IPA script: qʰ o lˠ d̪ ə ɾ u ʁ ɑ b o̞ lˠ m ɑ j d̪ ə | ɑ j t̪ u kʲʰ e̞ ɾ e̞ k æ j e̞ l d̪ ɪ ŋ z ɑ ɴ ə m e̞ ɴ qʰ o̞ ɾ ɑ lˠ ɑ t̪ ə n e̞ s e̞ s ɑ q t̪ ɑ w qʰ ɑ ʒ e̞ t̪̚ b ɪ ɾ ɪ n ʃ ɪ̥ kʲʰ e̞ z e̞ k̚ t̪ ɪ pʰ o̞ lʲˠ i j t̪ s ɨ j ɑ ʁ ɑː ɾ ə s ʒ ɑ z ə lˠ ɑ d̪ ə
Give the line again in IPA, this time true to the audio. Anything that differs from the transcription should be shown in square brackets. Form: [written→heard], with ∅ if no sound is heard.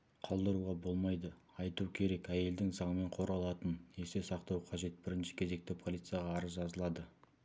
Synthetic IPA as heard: qʰ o lˠ d̪ ə ɾ u ʁ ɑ b o̞ lˠ m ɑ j d̪ ə | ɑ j t̪ u kʲʰ e̞ ɾ e̞ k æ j e̞ l d̪ ɪ ŋ z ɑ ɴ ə m e̞ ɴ qʰ o̞ ɾ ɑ lˠ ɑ t̪ ə n e̞ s e̞ s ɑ q t̪ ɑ w qʰ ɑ ʒ e̞ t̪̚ b ɪ ɾ ɪ n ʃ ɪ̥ kʲʰ e̞ z e̞ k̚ t̪ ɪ pʰ o̞ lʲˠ i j t̪ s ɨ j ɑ ʁ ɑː ɾ ə [s→z] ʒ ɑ z ə lˠ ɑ d̪ ə